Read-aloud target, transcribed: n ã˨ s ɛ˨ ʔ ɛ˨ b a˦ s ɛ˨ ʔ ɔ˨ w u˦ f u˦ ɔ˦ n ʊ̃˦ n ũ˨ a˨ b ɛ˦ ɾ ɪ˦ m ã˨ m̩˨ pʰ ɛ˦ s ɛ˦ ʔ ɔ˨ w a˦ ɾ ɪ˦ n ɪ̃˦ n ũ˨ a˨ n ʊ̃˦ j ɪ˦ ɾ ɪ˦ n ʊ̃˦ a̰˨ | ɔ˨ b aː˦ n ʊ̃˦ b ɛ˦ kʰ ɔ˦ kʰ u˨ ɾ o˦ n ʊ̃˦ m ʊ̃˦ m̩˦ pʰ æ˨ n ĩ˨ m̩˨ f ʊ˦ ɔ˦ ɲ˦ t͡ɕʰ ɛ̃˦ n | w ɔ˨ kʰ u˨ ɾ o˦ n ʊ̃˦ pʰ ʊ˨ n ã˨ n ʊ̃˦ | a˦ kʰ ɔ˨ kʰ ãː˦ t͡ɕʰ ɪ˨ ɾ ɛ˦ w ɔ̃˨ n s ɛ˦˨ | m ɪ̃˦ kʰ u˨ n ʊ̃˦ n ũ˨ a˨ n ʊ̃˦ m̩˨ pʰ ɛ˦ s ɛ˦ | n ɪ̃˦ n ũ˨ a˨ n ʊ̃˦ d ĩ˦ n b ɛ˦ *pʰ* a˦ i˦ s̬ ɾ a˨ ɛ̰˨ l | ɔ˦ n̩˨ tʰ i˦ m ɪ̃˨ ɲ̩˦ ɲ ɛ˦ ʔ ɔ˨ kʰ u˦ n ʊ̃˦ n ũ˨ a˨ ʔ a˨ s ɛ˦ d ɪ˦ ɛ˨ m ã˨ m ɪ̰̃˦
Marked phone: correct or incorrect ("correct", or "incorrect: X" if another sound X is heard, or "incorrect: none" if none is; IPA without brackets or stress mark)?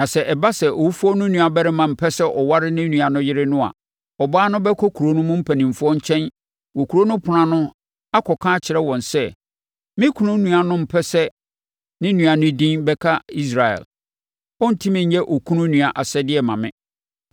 incorrect: kʰ